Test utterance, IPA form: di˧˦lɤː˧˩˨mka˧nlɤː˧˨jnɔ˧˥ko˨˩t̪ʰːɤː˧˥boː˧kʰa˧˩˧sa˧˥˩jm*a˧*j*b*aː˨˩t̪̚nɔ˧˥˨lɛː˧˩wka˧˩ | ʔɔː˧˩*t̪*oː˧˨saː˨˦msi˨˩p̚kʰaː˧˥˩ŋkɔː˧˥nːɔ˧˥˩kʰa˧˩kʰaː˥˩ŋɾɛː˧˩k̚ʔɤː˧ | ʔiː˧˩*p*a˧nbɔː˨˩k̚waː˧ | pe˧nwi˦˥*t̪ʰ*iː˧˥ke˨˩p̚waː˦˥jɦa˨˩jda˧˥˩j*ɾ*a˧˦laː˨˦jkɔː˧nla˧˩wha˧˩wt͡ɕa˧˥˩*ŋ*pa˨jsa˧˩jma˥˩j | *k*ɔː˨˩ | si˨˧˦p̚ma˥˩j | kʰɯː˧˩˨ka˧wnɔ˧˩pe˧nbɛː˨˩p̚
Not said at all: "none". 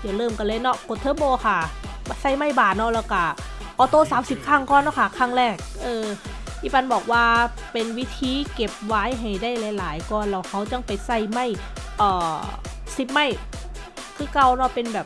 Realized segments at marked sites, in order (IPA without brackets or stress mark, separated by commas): a˥˩, b, t̪, p, t̪ʰ, l, ŋ, ʔ